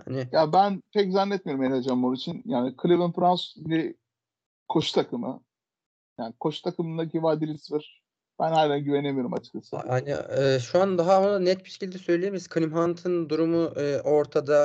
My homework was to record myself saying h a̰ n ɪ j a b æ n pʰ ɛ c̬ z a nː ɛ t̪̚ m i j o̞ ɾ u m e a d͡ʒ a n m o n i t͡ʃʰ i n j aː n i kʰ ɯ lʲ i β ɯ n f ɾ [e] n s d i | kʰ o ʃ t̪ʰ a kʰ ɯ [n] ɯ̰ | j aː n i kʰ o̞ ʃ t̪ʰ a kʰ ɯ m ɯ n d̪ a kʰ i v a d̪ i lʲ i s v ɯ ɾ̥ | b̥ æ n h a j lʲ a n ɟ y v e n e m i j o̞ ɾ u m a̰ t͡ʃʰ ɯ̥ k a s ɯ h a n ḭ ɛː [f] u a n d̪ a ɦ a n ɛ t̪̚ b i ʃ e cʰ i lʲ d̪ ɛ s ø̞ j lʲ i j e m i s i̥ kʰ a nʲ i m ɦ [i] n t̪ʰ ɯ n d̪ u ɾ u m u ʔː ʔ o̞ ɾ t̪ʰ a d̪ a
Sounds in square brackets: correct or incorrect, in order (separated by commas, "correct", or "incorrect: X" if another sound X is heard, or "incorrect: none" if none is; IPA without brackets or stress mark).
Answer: incorrect: a, incorrect: m, incorrect: ʃ, incorrect: a